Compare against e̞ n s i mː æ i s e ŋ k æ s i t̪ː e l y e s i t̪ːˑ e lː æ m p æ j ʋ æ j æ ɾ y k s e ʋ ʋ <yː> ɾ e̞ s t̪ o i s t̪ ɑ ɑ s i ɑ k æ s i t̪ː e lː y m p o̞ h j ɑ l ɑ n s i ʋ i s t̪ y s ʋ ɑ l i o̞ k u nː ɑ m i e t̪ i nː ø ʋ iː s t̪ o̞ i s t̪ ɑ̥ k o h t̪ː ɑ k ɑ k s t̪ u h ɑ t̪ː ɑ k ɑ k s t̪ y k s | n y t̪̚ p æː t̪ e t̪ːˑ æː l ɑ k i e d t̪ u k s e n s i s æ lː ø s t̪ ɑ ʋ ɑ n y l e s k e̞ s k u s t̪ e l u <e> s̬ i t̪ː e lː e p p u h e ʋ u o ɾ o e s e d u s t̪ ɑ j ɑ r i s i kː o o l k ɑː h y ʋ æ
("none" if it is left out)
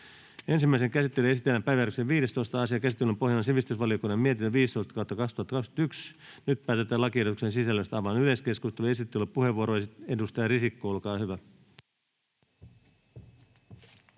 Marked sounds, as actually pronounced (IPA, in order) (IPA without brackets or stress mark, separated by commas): iː, e